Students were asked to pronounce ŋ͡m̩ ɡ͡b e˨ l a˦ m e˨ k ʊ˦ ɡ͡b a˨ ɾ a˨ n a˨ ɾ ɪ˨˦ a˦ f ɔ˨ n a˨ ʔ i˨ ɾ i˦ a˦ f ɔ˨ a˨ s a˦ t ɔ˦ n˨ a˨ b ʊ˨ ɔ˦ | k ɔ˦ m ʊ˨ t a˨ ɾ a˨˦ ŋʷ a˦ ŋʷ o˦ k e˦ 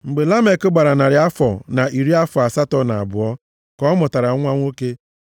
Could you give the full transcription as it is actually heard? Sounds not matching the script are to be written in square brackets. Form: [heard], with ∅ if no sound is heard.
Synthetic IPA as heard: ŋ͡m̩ ɡ͡b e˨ l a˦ m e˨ k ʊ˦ ɡ͡b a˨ ɾ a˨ n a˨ ɾ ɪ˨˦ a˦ f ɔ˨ n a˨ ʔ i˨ ɾ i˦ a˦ f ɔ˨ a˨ s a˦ t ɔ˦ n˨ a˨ b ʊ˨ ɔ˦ | k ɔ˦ m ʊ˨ t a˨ ɾ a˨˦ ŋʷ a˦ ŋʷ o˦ k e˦